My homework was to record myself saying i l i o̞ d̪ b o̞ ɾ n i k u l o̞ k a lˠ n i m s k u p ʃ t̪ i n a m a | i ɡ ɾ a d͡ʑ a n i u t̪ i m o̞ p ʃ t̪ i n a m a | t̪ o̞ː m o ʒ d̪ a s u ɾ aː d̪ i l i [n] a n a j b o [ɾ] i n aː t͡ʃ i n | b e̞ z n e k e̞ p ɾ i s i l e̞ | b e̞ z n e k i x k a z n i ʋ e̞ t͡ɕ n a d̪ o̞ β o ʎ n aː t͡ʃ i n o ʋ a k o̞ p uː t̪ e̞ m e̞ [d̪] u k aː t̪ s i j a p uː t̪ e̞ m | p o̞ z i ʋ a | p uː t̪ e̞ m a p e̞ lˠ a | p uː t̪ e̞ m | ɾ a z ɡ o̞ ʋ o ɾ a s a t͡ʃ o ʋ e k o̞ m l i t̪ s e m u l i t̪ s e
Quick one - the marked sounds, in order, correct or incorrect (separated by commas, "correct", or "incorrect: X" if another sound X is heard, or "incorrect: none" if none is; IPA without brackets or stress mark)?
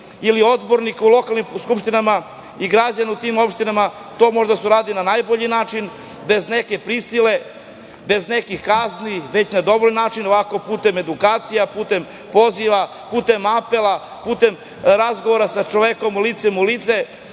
correct, incorrect: ʎ, correct